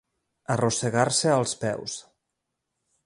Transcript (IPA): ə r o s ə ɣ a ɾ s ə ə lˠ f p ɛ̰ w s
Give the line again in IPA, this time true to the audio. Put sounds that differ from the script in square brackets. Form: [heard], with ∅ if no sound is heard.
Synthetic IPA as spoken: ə r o s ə ɣ a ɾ s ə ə lˠ [s] p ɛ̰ w s